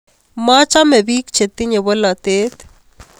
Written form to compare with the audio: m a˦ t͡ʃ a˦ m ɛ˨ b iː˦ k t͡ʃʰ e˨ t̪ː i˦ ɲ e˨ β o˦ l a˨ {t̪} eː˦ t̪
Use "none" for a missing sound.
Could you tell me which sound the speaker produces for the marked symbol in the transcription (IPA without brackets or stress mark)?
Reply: t̪